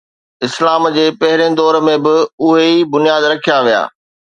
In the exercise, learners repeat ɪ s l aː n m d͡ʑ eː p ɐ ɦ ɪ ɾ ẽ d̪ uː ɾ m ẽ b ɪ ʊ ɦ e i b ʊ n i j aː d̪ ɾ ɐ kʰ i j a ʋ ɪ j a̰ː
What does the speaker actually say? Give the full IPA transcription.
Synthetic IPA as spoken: ɪ s l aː m d͡ʑ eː p ɐ ɦ ɪ ɾ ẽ d̪ ɔː ɾ m ẽ b ɪ ʊ ɦ e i b ʊ n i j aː d̪ ɾ ɐ kʰ i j a ʋ i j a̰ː